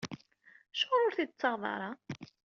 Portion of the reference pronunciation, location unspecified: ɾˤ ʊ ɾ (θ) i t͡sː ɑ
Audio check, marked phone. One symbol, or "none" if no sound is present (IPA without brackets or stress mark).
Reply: θ